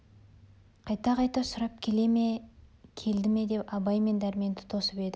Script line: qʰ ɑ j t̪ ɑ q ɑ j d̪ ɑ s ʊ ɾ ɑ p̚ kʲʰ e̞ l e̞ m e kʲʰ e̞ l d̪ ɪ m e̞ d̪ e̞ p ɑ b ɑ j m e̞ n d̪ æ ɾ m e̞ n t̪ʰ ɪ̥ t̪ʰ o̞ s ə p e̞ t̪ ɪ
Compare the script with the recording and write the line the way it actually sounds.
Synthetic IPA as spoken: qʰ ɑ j t̪ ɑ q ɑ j t̪ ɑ s ʊ ɾ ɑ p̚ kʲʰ e̞ l e̞ m e kʲʰ e̞ l d̪ ɪ m e̞ d̪ e̞ p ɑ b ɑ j m e̞ n d̪ æ ɾ m e̞ n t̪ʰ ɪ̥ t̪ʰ o̞ s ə p e̞ d̪ ɪ